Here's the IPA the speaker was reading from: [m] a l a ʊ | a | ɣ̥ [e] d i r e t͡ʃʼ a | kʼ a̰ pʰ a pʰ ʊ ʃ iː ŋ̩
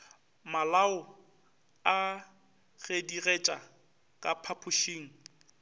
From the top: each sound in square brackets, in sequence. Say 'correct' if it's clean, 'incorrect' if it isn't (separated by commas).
correct, correct